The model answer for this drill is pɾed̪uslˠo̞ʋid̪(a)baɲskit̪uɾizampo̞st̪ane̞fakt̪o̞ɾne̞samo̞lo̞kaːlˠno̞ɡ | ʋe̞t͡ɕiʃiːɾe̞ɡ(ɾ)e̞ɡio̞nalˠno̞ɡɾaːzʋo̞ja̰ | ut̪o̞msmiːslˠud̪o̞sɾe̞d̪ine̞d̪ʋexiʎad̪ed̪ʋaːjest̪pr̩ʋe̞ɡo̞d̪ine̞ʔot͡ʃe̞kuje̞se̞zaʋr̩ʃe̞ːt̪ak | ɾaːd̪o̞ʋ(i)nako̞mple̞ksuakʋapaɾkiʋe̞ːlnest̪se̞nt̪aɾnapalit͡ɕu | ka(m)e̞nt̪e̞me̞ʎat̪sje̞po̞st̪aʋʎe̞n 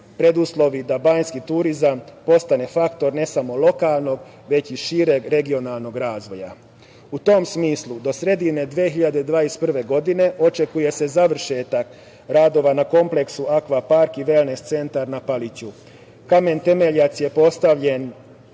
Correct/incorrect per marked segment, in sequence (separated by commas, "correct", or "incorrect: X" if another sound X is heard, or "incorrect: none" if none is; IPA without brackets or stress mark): correct, correct, incorrect: a, correct